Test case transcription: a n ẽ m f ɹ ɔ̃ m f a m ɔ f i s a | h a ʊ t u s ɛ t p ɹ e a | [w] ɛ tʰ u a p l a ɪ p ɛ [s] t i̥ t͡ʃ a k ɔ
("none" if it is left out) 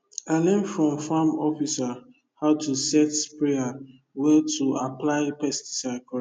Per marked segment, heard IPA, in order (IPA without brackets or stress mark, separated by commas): w, s